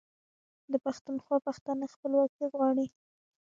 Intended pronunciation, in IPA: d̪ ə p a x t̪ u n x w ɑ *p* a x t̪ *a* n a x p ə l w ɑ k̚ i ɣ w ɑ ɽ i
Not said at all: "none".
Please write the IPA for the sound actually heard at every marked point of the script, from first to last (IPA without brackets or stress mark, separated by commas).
p, a